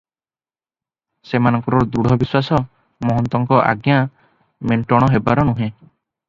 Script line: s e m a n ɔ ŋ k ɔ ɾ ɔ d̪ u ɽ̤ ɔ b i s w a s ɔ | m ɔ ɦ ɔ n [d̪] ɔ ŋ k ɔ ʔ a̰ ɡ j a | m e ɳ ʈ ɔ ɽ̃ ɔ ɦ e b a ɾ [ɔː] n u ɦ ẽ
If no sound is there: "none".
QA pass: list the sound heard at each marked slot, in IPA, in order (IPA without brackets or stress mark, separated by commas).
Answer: t̪, ɔ